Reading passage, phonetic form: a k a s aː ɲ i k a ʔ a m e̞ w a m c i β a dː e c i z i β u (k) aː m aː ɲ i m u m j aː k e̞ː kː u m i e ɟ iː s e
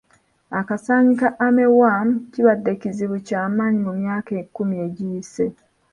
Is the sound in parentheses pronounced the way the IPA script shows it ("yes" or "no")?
no